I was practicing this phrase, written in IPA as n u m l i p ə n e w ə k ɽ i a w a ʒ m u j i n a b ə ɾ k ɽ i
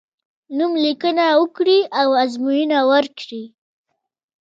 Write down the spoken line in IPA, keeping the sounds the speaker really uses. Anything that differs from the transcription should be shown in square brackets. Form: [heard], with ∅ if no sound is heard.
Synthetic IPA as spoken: n u m l i [k] ə n [a] w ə k ɽ i a w a [z] m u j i n a [w] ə ɾ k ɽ i

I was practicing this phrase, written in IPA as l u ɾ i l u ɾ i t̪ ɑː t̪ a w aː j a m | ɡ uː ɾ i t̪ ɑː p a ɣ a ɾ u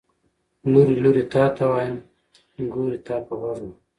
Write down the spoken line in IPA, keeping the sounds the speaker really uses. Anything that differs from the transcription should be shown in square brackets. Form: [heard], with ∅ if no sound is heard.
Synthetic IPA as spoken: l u ɾ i l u ɾ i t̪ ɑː t̪ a w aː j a m | ɡ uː ɾ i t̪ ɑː p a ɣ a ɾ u

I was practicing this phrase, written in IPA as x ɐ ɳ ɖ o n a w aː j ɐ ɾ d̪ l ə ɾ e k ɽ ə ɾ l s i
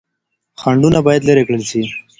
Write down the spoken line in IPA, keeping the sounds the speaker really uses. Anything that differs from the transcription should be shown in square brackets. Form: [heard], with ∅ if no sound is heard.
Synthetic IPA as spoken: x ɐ ɳ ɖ [u] n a [b] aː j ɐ [∅] d̪ l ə ɾ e k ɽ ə [∅] l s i

